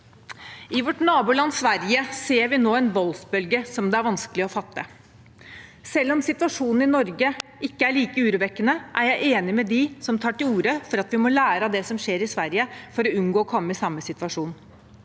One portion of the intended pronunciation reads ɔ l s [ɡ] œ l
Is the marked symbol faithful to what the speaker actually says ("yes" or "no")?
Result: no